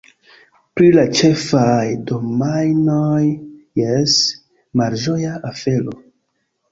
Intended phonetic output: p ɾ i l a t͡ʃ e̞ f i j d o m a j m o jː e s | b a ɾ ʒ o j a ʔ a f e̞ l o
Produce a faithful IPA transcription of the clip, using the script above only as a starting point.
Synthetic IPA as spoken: p ɾ i l a t͡ʃ e̞ f a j d o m a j n o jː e s | m a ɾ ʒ o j a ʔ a f e̞ l o